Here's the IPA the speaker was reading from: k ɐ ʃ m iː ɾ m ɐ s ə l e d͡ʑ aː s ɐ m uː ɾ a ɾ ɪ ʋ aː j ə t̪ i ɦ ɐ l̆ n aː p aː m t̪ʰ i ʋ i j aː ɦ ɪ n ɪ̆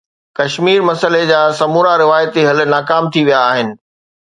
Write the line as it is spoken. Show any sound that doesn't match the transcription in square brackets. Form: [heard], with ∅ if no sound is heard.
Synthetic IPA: k ɐ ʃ m iː ɾ m ɐ s ə l e d͡ʑ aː s ɐ m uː ɾ a ɾ ɪ ʋ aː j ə t̪ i ɦ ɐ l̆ n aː [k] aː m t̪ʰ i ʋ i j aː ɦ ɪ n ɪ̆